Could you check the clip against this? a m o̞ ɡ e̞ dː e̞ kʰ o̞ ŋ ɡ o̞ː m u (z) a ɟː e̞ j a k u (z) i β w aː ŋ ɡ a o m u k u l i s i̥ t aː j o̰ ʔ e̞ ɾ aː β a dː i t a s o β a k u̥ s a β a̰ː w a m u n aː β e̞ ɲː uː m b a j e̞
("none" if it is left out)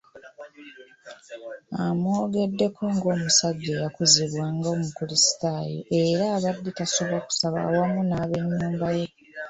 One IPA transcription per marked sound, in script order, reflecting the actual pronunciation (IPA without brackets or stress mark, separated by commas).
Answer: s, z